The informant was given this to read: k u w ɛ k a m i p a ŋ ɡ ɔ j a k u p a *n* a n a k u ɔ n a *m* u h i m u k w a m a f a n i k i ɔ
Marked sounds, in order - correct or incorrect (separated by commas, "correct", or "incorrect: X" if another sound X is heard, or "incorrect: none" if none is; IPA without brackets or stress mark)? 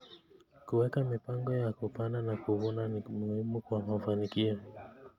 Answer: correct, correct